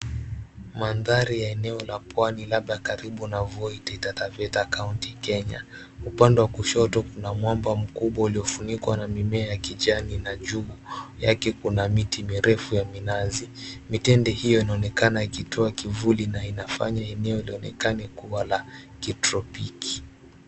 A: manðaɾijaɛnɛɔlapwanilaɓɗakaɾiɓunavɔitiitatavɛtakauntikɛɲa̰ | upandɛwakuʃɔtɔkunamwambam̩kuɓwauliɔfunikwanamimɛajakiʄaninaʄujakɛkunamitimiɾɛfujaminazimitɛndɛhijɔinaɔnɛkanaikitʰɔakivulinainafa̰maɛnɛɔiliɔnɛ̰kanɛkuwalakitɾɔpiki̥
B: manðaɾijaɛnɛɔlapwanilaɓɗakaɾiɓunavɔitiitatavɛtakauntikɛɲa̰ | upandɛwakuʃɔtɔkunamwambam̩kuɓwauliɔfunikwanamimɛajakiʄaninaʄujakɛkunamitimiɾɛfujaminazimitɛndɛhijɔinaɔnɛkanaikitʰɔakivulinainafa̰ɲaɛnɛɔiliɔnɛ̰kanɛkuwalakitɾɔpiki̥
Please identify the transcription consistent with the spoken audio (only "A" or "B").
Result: B